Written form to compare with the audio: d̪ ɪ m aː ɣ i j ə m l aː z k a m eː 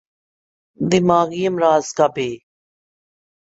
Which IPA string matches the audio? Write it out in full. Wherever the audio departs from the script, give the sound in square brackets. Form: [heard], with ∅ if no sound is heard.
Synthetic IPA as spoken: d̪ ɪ m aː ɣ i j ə m [ɾ] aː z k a [b] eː